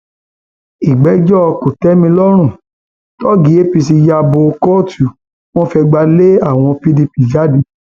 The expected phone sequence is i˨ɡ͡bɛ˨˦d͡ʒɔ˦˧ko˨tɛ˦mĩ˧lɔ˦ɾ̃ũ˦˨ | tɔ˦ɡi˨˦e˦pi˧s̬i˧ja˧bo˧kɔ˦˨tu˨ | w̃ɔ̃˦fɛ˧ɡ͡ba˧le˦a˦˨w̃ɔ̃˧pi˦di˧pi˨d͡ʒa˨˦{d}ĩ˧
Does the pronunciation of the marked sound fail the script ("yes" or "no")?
no